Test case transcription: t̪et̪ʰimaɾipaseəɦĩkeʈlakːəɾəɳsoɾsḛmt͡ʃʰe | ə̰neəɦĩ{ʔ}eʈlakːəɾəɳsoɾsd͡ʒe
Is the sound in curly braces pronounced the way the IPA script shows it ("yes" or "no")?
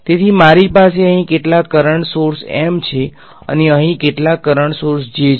no